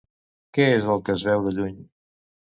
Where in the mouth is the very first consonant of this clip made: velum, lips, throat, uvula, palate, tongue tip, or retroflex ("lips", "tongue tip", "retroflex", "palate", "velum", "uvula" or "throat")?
velum